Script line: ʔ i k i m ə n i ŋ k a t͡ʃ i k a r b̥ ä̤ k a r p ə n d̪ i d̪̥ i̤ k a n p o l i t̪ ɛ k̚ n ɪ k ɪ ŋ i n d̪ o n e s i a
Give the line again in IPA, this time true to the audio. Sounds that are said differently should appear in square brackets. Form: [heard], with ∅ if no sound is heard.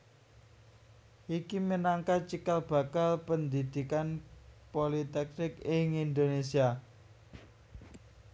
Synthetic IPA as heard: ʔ i k i m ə n [a] ŋ k a t͡ʃ i k a [l] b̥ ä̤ k a [l] p ə n d̪ i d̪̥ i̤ k a n p o l i t̪ ɛ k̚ n ɪ k ɪ ŋ i n d̪ o n e s i a